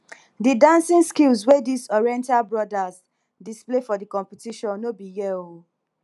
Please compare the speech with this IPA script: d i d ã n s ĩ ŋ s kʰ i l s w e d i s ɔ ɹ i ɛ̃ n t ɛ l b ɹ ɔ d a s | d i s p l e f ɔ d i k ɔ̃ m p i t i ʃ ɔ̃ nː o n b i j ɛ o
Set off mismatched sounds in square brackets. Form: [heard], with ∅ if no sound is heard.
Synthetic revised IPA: d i d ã n s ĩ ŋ s [k] i l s w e d i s ɔ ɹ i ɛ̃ n t [a] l b ɹ ɔ d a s | d i s p l e f ɔ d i k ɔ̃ m p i t i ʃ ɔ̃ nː o [∅] b i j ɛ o